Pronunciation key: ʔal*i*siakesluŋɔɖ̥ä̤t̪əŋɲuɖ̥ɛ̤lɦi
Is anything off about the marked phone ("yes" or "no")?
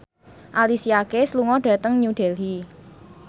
no